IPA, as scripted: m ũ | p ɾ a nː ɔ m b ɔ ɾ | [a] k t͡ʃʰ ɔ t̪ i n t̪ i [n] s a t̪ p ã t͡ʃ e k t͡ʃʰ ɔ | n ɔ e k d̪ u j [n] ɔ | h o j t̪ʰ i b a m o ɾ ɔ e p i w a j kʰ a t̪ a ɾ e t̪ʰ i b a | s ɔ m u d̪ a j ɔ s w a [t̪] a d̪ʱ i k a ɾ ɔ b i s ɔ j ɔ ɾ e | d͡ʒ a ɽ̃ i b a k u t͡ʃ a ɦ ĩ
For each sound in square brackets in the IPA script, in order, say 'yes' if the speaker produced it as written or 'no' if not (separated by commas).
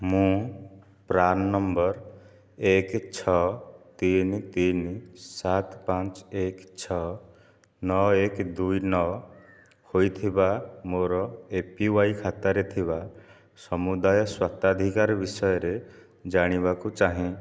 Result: no, yes, yes, yes